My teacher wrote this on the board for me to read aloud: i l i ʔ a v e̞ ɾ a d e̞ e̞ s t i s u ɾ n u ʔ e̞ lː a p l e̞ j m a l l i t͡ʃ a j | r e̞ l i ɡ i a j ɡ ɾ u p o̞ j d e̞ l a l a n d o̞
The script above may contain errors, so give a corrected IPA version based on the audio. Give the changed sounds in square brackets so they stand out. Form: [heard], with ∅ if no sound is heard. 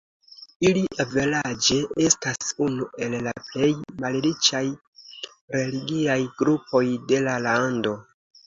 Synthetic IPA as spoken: i l i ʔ a v e̞ [l] a [d͡ʒ] e̞ e̞ s t [a] s u [∅] n u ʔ e̞ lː a p l e̞ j m a l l i t͡ʃ a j | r e̞ l i ɡ i a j ɡ ɾ u p o̞ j d e̞ l a l a n d o̞